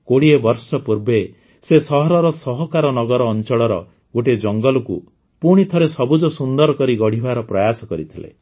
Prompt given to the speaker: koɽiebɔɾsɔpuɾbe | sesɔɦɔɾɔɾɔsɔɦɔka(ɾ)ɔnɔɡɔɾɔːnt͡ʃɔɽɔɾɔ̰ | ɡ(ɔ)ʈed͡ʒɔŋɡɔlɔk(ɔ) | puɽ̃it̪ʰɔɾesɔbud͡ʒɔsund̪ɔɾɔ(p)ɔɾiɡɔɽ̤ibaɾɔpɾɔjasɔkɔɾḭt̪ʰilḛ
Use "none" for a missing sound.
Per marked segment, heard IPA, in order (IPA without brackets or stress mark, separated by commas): ɾ, o, u, k